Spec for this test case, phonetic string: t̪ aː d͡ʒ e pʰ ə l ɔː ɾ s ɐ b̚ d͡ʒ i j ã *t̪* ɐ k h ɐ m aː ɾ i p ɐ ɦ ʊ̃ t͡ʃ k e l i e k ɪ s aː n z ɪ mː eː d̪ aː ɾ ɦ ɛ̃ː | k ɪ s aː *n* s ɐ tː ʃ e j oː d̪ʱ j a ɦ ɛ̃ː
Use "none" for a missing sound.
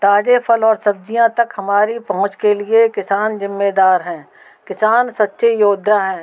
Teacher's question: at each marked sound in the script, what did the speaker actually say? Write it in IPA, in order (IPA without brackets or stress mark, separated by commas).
t̪, n